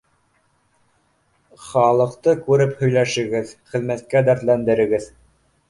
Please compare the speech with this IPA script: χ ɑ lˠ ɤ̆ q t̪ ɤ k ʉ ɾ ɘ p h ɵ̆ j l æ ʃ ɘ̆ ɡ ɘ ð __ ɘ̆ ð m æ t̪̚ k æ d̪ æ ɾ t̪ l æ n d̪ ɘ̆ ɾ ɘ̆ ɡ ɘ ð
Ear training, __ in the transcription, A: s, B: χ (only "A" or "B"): B